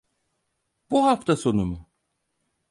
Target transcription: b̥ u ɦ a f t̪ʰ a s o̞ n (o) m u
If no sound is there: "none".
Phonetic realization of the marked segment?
u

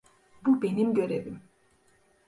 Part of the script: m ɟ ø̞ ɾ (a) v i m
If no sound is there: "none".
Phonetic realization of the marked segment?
e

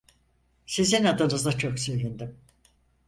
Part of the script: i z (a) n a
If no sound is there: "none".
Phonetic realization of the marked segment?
i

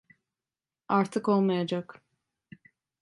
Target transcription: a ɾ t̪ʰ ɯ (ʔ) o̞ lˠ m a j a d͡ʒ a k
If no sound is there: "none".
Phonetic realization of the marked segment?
k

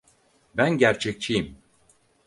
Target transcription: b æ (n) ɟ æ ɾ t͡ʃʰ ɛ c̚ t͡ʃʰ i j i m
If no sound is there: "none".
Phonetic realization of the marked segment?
n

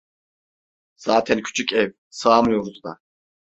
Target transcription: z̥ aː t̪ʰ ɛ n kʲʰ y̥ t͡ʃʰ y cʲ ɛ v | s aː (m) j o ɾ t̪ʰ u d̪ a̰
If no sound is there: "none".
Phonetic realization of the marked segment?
m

